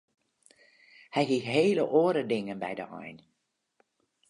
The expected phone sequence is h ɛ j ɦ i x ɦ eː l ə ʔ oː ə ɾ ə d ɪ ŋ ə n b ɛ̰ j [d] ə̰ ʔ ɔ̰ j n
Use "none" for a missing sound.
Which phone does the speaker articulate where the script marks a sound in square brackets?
d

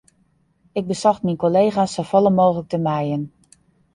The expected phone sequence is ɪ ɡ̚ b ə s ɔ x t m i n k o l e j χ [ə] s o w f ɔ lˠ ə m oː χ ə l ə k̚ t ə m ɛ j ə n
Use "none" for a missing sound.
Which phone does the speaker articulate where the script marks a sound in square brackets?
a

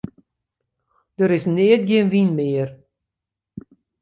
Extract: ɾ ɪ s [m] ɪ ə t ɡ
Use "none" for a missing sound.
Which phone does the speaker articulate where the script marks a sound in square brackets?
n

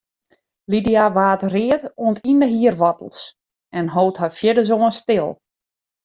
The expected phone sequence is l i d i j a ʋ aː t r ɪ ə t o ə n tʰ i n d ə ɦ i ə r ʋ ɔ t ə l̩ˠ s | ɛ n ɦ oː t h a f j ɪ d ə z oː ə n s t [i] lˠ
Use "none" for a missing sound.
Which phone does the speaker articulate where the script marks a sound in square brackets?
ɪ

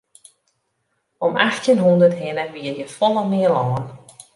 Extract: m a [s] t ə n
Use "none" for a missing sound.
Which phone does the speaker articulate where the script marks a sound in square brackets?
x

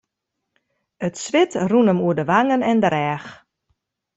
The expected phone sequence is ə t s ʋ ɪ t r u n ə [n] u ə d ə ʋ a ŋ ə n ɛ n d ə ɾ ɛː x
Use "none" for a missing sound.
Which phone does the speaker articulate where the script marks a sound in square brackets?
m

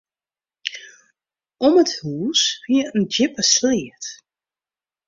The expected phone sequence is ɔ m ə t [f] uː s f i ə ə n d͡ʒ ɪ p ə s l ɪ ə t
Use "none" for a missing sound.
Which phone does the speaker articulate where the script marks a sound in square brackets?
h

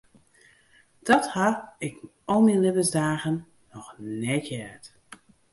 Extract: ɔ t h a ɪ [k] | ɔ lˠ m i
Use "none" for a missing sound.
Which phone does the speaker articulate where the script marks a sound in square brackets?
k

